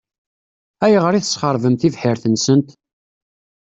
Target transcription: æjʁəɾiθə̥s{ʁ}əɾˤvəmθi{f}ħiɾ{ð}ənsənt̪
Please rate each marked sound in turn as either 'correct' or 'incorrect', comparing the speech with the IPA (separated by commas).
incorrect, incorrect, incorrect